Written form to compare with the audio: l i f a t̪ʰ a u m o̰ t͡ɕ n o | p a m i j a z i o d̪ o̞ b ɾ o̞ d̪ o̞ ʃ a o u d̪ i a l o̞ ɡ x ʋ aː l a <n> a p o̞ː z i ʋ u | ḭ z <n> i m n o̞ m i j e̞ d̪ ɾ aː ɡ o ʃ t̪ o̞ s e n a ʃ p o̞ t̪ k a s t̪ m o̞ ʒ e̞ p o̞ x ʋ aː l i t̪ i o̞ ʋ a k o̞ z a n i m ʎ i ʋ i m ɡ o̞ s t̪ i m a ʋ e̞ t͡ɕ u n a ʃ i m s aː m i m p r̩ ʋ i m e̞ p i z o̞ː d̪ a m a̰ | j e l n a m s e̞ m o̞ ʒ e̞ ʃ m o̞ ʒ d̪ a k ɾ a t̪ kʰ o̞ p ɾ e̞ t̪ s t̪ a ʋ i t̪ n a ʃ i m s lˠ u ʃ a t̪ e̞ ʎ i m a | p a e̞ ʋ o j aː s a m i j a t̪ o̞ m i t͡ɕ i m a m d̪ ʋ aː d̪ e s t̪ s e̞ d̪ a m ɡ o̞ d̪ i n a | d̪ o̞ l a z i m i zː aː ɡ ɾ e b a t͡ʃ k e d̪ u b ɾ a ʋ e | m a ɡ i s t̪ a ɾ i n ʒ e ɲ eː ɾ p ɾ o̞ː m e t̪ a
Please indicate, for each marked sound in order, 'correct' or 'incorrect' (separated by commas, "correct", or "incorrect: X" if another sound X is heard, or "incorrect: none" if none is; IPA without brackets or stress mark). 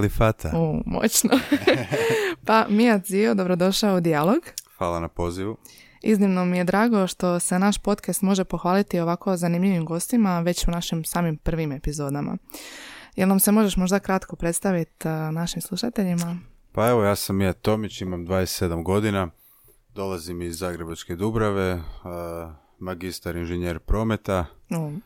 correct, correct